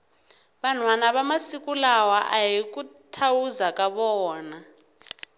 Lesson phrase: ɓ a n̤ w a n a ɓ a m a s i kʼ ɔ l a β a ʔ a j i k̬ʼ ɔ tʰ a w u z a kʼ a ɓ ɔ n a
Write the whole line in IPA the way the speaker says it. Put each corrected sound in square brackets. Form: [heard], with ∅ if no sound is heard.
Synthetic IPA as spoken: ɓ a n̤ w a n a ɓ a m a s i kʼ [u] l a [w] a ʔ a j i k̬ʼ [u] tʰ a w u z a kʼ a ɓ [ɔː] n a